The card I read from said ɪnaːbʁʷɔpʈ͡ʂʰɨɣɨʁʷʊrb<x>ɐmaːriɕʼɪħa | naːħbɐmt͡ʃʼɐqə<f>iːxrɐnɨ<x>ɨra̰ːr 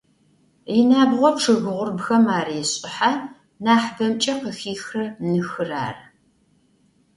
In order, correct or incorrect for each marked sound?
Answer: correct, incorrect: x, correct

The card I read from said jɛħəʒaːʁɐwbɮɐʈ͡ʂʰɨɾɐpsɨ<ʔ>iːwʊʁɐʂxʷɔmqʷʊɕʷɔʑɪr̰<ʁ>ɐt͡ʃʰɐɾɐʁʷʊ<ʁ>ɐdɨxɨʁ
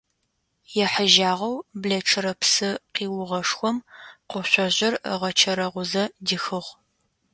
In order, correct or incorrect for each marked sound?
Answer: incorrect: q, correct, incorrect: z

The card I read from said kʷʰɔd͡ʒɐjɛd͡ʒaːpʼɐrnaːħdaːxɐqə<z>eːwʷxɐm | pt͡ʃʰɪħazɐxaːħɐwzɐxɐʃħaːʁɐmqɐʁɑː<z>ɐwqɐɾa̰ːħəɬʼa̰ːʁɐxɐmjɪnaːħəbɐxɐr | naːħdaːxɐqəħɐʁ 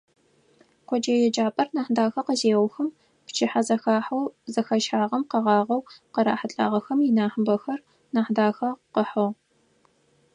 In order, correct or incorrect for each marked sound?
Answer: correct, incorrect: ʁ

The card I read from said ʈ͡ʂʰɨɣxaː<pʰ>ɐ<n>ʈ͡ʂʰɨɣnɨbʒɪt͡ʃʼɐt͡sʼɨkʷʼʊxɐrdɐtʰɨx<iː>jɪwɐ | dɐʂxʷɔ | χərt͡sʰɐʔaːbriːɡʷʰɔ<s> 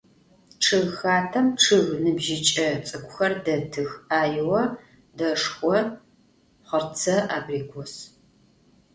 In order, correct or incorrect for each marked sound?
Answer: incorrect: tʰ, incorrect: m, incorrect: aː, correct

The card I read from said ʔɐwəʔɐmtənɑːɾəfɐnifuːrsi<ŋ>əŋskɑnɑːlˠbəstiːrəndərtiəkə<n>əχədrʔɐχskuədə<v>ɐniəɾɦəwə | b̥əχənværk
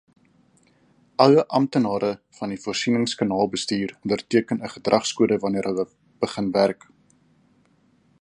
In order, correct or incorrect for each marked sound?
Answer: incorrect: n, correct, correct

